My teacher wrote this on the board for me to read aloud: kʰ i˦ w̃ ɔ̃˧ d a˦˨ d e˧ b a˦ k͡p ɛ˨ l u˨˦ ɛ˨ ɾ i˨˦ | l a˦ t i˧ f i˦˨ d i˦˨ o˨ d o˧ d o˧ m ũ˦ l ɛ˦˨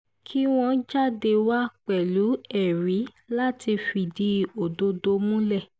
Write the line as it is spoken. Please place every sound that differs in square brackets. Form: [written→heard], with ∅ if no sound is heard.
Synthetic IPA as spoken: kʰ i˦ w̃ ɔ̃˧ [d→d͡ʒ] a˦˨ d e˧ [b→w] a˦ k͡p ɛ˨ l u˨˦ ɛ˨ ɾ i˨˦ | l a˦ t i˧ f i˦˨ d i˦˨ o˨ d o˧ d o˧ m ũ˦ l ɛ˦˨